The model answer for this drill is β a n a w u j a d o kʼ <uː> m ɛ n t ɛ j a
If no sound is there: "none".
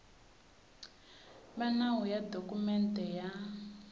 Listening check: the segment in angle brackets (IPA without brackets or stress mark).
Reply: u